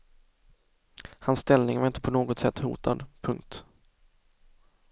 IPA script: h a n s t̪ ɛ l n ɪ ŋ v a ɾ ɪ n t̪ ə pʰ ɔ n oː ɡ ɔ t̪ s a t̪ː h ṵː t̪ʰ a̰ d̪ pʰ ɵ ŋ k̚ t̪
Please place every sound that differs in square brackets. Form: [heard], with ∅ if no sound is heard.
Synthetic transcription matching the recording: h a n s t̪ ɛ l n ɪ ŋ v a ɾ ɪ n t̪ ə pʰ ɔ n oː ɡ ɔ t̪ s [ɛ] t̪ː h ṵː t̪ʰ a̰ d̪ pʰ ɵ ŋ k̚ t̪